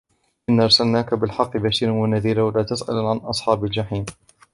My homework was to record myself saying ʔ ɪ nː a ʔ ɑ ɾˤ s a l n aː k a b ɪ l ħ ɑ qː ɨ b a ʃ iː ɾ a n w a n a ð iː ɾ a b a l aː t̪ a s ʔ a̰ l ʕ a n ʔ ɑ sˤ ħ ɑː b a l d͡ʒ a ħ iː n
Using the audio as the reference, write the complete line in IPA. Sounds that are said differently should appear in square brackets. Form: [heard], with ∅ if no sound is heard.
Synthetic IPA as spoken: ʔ ɪ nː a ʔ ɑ ɾˤ s a l n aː k a b ɪ l ħ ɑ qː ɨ b a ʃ iː ɾ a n w a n a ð iː ɾ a [w] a l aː t̪ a s ʔ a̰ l ʕ a n ʔ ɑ sˤ ħ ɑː b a l d͡ʒ a ħ iː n